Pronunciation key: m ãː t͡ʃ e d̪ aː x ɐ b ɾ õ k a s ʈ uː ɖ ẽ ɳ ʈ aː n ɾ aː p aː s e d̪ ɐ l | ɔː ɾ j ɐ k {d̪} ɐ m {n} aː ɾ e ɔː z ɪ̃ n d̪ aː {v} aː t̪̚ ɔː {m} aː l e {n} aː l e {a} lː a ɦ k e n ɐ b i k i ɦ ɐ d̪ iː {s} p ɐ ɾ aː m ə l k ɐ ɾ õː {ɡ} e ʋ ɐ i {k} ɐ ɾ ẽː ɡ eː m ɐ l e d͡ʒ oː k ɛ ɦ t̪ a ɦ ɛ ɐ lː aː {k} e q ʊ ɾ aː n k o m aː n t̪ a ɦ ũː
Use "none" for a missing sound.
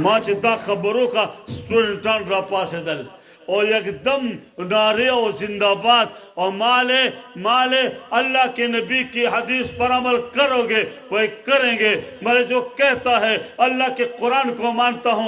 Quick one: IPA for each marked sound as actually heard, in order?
d̪, n, b, m, m, ɐ, s, ɡ, k, k

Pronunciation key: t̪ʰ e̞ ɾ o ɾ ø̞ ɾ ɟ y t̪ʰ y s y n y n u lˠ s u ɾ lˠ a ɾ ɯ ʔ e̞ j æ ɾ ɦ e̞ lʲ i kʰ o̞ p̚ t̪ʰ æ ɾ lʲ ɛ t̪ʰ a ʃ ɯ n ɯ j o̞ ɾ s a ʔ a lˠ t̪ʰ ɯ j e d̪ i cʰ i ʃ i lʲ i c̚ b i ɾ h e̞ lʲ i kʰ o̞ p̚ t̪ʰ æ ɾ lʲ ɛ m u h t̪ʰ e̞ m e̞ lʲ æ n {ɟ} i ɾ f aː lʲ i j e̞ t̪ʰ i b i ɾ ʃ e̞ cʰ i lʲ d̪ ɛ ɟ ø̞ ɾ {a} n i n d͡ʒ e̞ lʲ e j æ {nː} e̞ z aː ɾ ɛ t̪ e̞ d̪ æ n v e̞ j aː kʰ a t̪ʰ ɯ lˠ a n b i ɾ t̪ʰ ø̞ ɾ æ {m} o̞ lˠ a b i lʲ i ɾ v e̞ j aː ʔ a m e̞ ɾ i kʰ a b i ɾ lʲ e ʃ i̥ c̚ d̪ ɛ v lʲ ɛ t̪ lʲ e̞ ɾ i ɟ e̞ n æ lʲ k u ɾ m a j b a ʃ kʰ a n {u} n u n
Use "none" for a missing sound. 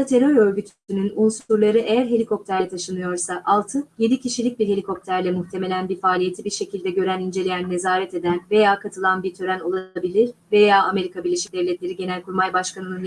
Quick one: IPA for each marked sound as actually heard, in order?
b, æ, nː, n, ɯ

